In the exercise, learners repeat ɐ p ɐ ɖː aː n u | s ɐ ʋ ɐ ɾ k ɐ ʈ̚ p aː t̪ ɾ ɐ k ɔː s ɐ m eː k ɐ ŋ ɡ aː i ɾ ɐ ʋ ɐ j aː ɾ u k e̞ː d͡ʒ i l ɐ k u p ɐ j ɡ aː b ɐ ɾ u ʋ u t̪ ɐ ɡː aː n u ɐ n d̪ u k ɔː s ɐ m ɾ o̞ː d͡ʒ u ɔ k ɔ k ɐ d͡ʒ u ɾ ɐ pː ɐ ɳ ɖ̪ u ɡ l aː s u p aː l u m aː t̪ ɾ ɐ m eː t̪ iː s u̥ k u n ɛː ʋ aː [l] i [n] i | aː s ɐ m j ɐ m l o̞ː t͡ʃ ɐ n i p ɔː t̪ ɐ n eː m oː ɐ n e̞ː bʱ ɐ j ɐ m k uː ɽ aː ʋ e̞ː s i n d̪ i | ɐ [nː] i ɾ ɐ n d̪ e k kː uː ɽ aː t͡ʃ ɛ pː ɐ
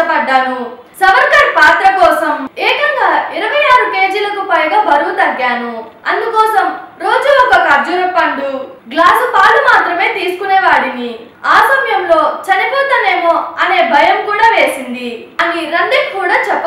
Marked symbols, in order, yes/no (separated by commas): no, yes, no